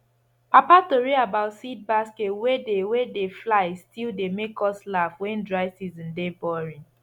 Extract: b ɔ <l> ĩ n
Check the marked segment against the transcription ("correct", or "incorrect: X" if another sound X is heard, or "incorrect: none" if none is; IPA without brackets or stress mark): incorrect: ɹ